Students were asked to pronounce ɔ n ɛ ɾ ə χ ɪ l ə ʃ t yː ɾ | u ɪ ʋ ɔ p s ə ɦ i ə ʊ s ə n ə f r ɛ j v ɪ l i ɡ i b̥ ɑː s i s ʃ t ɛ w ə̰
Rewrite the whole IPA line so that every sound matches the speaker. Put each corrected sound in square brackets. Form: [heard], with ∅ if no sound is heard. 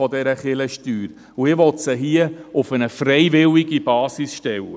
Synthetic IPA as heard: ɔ [d] ɛ ɾ ə χ ɪ l ə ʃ t yː ɾ | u ɪ ʋ ɔ [t] s ə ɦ i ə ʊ [f] ə n ə f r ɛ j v ɪ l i ɡ i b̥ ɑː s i s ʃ t ɛ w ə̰